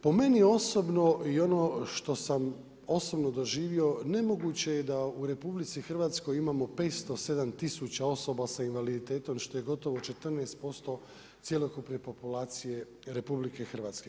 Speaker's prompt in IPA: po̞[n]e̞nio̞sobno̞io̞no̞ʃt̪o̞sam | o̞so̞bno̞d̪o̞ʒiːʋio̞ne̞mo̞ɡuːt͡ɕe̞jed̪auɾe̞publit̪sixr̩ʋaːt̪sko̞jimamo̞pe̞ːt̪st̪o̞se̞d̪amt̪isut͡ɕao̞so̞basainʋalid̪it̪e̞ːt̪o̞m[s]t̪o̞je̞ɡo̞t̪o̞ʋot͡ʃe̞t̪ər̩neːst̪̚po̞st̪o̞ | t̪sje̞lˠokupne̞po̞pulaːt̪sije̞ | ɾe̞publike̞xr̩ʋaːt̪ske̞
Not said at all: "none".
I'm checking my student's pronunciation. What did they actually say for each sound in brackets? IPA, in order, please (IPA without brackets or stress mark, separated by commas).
m, ʃ